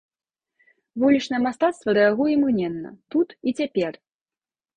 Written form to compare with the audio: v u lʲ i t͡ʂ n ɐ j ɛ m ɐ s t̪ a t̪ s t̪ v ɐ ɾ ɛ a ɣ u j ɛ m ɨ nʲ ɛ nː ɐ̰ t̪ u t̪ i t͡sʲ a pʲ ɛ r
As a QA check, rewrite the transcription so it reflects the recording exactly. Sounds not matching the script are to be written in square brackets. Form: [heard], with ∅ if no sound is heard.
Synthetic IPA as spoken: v u lʲ i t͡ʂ n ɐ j ɛ m [a] s t̪ a t̪ s t̪ v ɐ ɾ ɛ a ɣ u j ɛ m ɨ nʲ ɛ nː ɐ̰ t̪ u t̪ i t͡sʲ a pʲ ɛ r